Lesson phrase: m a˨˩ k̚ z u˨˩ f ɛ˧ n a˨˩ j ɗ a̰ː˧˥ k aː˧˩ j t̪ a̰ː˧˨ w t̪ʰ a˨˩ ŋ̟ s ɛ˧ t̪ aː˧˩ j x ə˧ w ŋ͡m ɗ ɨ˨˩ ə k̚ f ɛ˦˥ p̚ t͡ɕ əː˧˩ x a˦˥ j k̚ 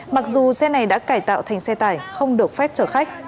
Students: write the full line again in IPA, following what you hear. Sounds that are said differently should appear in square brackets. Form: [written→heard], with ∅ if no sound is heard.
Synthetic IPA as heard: m a˨˩ k̚ z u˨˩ [f→s] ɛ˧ n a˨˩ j ɗ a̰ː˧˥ k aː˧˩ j t̪ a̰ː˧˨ w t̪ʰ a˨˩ ŋ̟ s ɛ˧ t̪ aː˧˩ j x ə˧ w ŋ͡m ɗ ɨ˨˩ ə k̚ f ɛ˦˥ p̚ t͡ɕ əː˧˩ x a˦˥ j k̚